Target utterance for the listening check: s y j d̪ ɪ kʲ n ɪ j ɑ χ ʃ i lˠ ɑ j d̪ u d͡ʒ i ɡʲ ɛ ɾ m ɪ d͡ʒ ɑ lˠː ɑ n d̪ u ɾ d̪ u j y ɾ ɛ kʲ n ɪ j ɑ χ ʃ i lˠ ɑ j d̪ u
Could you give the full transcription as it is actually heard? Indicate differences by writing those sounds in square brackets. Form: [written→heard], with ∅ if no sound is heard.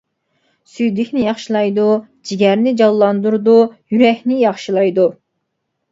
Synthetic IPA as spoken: s y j d̪ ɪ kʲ n ɪ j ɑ χ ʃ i lˠ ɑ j d̪ u d͡ʒ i ɡʲ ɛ ɾ [m→n] ɪ d͡ʒ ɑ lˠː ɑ n d̪ u ɾ d̪ u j y ɾ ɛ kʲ n ɪ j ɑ χ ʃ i lˠ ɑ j d̪ u